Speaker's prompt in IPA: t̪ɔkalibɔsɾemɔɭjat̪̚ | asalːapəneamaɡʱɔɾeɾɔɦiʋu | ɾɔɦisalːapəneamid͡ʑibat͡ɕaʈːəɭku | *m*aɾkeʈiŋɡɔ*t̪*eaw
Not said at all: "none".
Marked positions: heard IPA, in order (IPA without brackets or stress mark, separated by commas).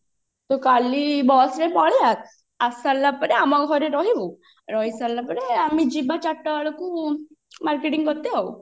m, t̪